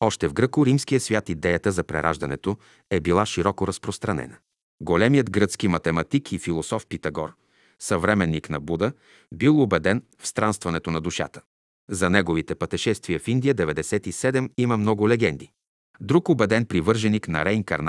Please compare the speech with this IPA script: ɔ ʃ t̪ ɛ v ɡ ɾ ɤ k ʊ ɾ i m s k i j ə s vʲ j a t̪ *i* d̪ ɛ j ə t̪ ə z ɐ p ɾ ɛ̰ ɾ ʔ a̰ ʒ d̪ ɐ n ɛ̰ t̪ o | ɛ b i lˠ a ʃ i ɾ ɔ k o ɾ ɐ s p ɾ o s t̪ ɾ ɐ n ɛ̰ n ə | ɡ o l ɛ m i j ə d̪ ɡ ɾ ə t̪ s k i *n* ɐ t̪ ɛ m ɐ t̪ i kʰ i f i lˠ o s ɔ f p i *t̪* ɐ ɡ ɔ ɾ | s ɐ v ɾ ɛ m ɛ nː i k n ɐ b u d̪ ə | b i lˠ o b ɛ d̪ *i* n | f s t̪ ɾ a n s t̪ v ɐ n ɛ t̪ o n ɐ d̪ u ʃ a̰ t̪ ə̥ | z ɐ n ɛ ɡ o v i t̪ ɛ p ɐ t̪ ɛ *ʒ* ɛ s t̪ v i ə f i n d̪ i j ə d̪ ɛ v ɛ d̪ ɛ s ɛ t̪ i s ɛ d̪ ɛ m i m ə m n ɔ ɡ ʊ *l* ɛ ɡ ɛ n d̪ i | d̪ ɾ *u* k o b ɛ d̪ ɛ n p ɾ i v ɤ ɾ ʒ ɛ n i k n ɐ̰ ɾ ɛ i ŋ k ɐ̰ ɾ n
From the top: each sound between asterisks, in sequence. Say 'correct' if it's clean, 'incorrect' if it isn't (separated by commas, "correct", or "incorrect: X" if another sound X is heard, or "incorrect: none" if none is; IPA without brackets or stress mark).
correct, incorrect: m, correct, incorrect: ɛ, incorrect: ʃ, correct, correct